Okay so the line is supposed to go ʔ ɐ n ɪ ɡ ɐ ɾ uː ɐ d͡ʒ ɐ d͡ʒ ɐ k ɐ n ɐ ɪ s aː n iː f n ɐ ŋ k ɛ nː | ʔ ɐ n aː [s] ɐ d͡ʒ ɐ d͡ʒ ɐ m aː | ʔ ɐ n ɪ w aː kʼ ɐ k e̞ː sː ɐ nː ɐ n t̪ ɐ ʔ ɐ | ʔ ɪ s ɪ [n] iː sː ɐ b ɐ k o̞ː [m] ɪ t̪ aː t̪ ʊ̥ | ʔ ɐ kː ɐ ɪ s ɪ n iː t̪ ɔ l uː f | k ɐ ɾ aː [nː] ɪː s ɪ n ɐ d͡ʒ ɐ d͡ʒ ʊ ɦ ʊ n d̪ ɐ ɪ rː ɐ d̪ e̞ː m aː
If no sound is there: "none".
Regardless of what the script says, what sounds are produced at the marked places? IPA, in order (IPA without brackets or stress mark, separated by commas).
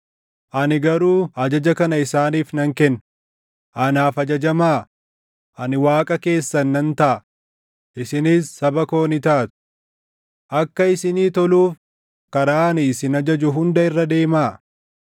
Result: f, n, n, n